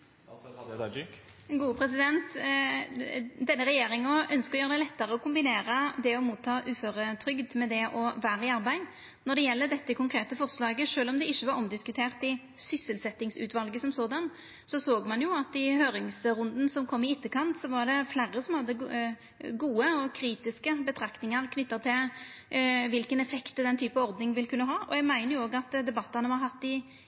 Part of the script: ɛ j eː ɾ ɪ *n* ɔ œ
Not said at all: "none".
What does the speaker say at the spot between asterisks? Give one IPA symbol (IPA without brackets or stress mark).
ŋ